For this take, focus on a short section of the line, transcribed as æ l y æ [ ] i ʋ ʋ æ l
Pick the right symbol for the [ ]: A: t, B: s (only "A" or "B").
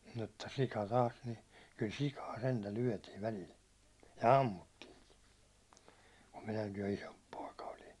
A